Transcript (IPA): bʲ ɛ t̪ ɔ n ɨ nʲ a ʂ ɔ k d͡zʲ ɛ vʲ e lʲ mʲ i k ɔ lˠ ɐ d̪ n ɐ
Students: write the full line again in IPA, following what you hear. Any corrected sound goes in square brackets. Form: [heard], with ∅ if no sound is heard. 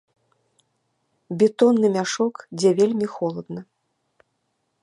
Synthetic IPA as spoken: bʲ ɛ t̪ ɔ [nː] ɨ [mʲ] a ʂ ɔ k d͡zʲ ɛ vʲ e lʲ mʲ i [x] ɔ lˠ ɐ d̪ n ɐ

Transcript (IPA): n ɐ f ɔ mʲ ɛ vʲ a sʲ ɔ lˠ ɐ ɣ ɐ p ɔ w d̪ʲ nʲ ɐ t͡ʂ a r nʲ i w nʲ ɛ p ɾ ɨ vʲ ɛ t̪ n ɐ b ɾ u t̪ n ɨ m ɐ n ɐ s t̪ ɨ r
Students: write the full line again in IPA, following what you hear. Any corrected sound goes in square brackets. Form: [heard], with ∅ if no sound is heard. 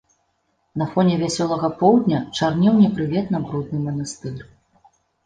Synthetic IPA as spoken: n ɐ f ɔ [nʲ] ɛ vʲ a sʲ ɔ lˠ ɐ ɣ ɐ p ɔ w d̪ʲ nʲ ɐ t͡ʂ a r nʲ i w nʲ ɛ p ɾ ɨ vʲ ɛ t̪ n ɐ b ɾ u [d̪] n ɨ m ɐ n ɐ s t̪ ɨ r

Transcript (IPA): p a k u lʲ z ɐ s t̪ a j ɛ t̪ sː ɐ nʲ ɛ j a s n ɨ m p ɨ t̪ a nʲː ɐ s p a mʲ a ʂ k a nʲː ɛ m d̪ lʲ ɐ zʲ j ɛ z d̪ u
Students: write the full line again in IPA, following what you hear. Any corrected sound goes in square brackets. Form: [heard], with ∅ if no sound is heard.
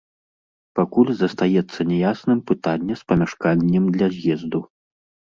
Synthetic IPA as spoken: p a k u lʲ z ɐ s t̪ a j ɛ t̪ sː ɐ nʲ ɛ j a s n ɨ m p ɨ t̪ a nʲː ɐ s p [ɐ] mʲ a ʂ k a nʲː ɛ m d̪ lʲ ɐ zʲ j ɛ z d̪ u

